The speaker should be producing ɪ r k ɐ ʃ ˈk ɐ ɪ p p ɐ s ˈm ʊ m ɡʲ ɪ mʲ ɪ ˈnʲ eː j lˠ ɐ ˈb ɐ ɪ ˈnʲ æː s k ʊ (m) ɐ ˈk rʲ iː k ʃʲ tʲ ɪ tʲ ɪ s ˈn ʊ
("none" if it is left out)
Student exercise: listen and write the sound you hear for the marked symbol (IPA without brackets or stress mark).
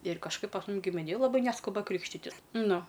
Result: b